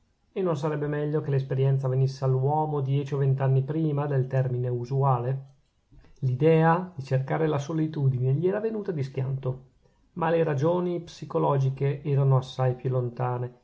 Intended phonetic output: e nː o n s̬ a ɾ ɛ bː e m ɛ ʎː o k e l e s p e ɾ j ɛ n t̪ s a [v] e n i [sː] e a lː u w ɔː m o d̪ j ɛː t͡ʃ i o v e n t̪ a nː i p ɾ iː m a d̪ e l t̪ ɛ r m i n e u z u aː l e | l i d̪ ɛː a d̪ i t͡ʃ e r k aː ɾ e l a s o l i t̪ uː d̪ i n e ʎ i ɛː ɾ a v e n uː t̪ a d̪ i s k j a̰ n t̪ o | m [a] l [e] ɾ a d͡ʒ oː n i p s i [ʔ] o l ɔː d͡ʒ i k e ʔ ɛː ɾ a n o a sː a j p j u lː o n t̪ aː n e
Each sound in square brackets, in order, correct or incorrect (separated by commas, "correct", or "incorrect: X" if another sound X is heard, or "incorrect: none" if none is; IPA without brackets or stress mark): correct, correct, correct, correct, incorrect: k